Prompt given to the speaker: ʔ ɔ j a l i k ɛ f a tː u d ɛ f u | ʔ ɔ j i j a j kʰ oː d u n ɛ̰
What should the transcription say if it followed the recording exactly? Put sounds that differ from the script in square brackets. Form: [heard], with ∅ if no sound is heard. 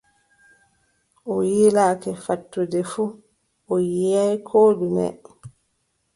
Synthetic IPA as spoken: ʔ ɔ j [i] l [a] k ɛ f a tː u d ɛ f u | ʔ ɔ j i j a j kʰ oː d u n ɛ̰